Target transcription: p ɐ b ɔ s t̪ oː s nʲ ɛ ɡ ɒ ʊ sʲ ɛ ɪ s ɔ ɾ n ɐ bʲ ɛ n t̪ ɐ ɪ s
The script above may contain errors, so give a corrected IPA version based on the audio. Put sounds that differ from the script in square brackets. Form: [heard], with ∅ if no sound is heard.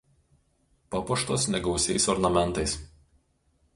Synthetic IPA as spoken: p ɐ [p] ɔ [ʃ] t̪ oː s nʲ ɛ ɡ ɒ ʊ sʲ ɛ ɪ s ɔ ɾ n ɐ [mʲ] ɛ n t̪ ɐ ɪ s